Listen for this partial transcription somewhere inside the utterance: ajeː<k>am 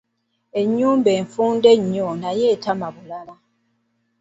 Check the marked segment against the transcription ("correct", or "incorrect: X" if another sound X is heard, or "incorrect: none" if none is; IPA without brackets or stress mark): incorrect: t